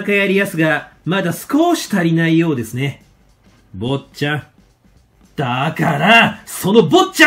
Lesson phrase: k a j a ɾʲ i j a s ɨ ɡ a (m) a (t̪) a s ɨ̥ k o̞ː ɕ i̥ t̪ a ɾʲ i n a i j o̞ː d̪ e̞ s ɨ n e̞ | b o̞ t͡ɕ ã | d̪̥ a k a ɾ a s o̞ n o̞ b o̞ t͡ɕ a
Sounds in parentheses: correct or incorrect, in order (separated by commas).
correct, incorrect